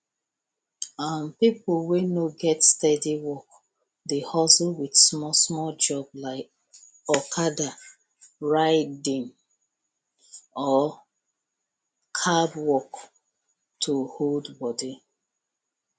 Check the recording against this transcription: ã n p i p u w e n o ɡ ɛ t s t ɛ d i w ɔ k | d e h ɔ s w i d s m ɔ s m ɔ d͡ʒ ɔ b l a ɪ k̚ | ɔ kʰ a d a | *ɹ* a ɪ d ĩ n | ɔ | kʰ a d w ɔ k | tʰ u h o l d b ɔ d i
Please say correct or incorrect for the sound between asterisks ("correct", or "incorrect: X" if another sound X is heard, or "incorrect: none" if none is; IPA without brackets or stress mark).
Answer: correct